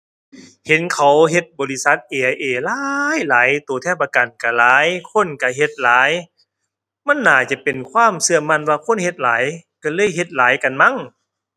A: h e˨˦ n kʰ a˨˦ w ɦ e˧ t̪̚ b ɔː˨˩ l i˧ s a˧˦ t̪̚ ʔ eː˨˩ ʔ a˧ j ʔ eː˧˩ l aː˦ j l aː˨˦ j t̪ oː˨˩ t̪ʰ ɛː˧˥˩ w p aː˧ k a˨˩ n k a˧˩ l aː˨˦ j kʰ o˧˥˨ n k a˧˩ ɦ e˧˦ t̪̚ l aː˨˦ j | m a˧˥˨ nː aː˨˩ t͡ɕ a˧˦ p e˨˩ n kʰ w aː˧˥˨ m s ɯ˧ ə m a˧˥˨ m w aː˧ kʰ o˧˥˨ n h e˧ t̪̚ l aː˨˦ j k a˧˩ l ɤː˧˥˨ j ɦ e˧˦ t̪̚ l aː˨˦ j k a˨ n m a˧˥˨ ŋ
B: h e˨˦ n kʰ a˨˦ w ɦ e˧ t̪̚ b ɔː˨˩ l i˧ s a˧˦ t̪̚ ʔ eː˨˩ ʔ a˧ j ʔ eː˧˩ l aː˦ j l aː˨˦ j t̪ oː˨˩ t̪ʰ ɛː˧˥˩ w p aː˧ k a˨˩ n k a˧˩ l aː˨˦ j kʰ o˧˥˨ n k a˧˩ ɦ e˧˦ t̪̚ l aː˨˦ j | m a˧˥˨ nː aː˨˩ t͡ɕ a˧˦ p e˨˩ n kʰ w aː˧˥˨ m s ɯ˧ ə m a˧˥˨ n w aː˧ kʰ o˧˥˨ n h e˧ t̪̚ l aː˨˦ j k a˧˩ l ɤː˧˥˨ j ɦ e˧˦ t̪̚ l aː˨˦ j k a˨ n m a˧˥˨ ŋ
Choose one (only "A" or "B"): B